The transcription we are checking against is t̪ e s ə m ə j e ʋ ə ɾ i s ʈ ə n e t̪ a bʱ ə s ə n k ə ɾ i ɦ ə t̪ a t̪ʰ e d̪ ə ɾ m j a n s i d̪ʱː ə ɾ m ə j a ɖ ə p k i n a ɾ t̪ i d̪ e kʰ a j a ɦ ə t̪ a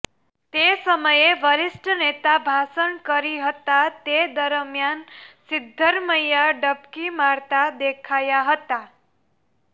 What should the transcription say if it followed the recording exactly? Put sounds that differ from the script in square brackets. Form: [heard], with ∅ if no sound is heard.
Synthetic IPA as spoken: t̪ e s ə m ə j e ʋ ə ɾ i s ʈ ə n e t̪ a bʱ [a] s ə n k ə ɾ i ɦ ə t̪ a [t̪] e d̪ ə ɾ m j a n s i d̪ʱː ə ɾ m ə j a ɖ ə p k i [m] a ɾ t̪ [a] d̪ e kʰ a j a ɦ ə t̪ a